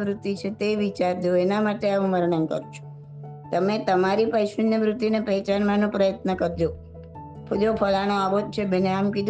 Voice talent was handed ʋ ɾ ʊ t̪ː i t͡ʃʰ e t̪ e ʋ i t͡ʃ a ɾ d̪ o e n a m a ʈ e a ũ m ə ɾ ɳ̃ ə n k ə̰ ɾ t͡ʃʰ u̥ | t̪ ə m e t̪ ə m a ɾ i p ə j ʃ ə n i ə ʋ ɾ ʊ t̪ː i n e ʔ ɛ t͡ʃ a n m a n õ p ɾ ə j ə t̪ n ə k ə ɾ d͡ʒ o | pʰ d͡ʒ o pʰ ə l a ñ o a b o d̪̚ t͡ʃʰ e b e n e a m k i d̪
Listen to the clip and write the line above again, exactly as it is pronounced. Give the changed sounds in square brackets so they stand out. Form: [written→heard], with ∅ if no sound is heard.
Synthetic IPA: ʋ ɾ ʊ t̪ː i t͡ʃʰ e t̪ e ʋ i t͡ʃ a ɾ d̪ o e n a m a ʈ e a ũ m ə ɾ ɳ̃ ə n k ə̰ ɾ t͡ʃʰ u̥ | t̪ ə m e t̪ ə m a ɾ i p ə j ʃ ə n [i→j] ə ʋ ɾ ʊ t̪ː i n e [ʔ→p] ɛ t͡ʃ a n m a n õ p ɾ ə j ə t̪ n ə k ə ɾ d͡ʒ o | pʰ d͡ʒ o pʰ ə l a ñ o a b o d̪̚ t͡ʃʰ e b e n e a m k i d̪